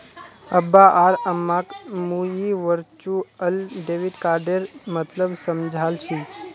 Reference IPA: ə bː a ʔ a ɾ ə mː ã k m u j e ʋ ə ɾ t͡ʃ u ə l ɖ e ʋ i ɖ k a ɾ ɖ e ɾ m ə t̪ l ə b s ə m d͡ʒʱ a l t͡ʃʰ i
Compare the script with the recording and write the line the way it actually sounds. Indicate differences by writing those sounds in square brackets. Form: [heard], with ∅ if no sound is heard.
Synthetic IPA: ə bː a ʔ a ɾ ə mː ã k m u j [i] ʋ ə ɾ t͡ʃ u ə l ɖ e ʋ i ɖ k a ɾ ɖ e ɾ m ə t̪ l ə b s ə m d͡ʒʱ a l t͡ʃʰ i